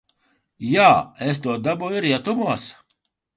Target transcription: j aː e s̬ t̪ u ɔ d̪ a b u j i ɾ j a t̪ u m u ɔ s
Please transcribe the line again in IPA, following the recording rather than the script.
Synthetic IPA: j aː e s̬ t̪ u ɔ d̪ a b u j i ɾ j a t̪ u m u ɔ s